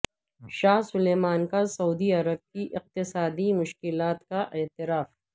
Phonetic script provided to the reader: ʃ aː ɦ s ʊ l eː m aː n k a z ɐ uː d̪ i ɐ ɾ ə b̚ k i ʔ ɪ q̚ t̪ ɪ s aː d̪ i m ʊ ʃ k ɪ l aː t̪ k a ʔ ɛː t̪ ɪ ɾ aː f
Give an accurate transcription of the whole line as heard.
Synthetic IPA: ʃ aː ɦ s ʊ l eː m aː n k a s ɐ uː d̪ i ɐ ɾ ə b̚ k i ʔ ɪ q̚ t̪ ɪ s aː d̪ i m ʊ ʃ k ɪ l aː t̪ k a ʔ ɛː t̪ ɪ ɾ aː f